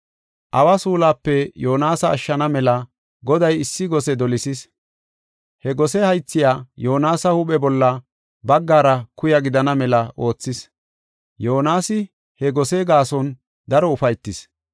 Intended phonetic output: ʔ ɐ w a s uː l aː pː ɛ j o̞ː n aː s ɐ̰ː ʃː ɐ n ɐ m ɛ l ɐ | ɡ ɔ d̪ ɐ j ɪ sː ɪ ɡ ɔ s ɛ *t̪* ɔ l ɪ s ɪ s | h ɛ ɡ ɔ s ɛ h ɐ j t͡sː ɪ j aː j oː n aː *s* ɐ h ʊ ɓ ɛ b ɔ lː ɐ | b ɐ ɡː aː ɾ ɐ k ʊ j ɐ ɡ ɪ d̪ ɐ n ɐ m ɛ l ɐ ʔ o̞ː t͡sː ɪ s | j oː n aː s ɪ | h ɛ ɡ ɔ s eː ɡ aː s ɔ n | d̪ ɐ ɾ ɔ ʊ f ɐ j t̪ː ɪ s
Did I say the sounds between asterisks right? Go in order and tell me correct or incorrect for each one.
incorrect, correct

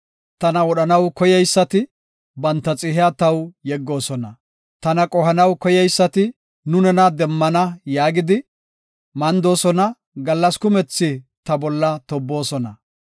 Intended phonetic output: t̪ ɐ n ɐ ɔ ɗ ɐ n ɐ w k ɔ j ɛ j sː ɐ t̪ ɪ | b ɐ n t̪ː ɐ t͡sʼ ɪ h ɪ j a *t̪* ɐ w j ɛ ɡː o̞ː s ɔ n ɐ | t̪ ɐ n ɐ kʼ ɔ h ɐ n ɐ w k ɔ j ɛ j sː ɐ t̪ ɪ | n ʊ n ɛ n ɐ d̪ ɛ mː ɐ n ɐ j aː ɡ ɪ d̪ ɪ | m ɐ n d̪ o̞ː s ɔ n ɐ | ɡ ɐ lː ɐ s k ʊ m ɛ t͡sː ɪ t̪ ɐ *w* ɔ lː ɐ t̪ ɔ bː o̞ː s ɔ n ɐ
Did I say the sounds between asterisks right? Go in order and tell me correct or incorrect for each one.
correct, incorrect

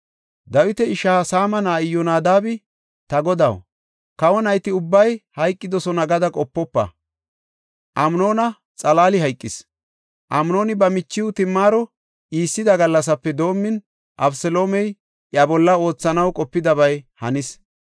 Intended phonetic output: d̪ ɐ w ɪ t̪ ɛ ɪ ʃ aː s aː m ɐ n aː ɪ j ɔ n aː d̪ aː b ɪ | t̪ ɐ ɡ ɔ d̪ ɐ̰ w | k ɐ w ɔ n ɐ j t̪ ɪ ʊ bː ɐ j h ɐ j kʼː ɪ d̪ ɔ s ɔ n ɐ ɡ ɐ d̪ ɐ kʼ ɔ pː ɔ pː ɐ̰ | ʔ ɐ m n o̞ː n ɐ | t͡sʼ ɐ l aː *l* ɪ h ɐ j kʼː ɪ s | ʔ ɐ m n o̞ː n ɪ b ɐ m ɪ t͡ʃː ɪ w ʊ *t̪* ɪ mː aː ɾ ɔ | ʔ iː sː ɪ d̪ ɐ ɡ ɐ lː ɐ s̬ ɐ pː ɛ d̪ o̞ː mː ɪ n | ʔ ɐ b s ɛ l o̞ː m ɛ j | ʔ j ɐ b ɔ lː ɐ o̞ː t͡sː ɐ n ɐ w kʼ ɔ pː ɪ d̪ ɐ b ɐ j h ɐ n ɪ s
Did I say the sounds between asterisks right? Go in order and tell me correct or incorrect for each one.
correct, correct

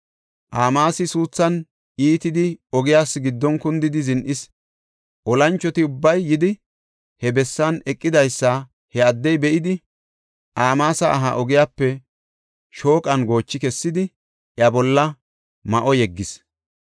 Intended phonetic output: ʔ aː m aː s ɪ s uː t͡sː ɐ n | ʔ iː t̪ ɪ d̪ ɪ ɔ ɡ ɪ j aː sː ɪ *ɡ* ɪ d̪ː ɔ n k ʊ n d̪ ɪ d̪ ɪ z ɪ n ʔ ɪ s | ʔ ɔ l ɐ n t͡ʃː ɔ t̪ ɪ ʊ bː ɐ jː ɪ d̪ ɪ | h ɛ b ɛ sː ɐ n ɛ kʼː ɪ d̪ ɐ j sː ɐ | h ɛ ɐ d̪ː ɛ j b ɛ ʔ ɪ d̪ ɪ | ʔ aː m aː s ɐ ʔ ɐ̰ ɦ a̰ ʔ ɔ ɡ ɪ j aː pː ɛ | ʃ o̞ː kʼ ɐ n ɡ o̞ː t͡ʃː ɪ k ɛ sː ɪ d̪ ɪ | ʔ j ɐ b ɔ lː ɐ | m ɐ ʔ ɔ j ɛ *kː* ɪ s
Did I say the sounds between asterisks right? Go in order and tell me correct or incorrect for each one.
correct, incorrect

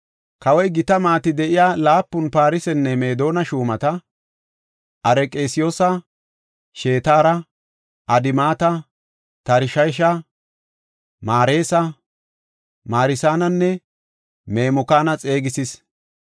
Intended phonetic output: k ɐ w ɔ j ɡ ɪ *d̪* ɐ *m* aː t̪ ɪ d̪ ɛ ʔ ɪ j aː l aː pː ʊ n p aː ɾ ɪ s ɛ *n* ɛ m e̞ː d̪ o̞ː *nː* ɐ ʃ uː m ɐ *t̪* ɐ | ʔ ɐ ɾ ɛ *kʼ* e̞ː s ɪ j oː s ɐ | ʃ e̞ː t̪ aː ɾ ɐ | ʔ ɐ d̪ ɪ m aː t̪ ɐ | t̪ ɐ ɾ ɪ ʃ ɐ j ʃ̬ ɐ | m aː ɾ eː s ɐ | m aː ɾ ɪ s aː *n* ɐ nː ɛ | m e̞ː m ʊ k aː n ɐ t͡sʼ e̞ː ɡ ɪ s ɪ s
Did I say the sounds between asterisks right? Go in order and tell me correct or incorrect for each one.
incorrect, correct, incorrect, incorrect, correct, correct, correct

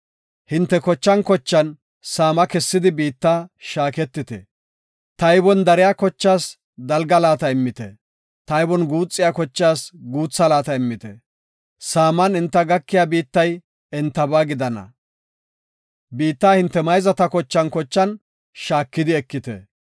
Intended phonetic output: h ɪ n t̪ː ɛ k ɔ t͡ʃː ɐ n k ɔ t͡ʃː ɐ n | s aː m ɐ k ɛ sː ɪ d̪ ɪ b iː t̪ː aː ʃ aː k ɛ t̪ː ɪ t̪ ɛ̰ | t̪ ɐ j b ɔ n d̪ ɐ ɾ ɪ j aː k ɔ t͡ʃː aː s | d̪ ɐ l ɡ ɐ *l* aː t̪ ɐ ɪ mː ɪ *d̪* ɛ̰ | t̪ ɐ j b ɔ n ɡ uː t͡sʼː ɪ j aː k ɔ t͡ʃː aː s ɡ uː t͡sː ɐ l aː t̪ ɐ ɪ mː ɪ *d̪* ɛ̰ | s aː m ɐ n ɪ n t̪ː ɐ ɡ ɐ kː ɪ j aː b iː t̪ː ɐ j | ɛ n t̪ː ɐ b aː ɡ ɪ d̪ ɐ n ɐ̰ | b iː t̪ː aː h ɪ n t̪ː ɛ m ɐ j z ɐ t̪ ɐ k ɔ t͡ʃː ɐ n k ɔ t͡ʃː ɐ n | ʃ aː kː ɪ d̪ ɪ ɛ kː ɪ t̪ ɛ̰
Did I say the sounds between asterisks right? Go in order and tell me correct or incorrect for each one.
correct, incorrect, incorrect

